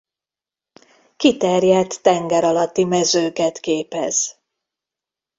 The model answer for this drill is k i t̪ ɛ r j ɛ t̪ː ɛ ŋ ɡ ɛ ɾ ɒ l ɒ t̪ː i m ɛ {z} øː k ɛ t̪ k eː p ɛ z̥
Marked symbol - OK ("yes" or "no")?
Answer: yes